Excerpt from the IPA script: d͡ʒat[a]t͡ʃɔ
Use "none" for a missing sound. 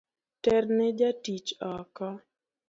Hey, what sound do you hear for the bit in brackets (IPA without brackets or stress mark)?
i